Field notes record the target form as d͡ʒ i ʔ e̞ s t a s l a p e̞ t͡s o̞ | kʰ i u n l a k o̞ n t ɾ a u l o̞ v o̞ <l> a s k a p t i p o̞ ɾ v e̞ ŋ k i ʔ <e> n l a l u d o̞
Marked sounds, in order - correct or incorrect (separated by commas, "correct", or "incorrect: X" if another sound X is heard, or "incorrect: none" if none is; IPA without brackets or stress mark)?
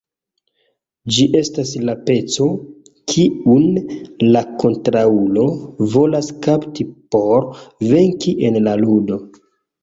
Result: correct, correct